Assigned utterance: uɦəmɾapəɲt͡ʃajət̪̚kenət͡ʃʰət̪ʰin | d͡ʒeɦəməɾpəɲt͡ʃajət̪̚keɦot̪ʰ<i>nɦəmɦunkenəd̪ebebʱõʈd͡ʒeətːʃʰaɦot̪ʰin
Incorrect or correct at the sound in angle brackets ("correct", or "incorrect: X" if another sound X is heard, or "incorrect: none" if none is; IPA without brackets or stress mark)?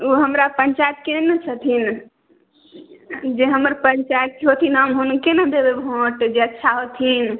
correct